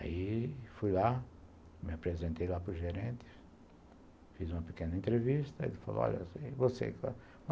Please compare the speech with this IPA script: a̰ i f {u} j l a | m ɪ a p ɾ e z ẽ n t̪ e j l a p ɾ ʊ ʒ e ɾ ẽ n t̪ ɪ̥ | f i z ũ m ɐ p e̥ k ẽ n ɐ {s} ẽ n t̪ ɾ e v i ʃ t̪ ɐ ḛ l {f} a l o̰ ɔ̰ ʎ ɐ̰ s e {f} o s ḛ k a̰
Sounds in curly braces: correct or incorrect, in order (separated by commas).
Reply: correct, incorrect, correct, incorrect